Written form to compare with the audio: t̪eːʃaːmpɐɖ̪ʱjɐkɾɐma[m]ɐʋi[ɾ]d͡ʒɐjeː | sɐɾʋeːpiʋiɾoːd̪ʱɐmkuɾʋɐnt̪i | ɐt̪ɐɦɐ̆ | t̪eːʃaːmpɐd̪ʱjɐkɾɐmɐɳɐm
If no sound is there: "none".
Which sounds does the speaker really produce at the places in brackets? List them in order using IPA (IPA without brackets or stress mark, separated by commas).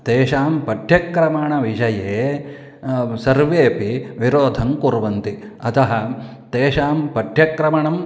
ɳ, none